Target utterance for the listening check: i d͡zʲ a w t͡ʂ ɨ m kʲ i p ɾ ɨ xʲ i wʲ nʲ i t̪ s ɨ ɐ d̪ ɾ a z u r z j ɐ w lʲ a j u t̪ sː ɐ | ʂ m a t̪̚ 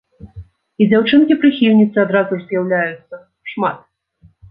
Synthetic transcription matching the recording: i d͡zʲ a w t͡ʂ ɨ n kʲ i p ɾ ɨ xʲ i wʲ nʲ i t̪ s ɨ a d̪ ɾ a z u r z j a w lʲ a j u t̪ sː ɐ | ʂ m a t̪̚